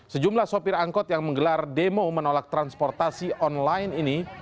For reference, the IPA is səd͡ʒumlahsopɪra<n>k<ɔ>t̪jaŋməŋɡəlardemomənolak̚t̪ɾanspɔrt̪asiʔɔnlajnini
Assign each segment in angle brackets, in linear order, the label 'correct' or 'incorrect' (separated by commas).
incorrect, correct